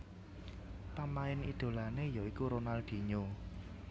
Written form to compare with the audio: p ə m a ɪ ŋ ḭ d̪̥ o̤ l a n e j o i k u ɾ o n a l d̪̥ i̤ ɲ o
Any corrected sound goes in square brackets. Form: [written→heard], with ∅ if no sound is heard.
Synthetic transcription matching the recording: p [ə→a] m a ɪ [ŋ→n] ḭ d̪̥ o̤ l a n e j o i k u ɾ o n a l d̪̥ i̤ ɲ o